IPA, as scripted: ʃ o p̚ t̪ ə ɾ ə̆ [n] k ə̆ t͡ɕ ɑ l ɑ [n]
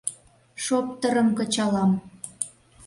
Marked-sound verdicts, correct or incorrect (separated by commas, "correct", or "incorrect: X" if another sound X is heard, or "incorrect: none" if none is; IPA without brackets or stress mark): incorrect: m, incorrect: m